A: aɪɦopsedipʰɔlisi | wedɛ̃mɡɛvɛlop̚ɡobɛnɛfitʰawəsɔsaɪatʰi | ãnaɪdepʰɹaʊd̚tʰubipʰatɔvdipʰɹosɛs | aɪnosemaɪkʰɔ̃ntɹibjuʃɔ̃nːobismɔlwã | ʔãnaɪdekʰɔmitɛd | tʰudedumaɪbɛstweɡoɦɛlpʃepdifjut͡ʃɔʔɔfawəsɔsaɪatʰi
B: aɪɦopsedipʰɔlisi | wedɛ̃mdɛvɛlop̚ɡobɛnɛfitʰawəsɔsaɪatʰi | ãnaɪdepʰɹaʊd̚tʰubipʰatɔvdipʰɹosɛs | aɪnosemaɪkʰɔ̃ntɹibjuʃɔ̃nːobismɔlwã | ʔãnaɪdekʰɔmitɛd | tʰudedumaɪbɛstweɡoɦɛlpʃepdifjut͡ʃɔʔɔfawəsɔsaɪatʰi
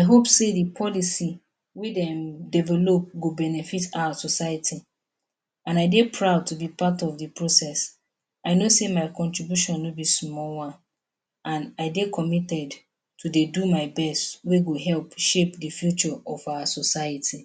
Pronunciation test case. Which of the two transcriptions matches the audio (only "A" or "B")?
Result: B